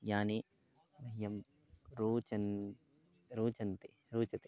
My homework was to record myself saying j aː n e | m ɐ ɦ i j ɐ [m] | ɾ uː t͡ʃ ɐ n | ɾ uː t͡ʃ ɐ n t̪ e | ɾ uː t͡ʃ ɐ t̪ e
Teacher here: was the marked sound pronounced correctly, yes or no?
yes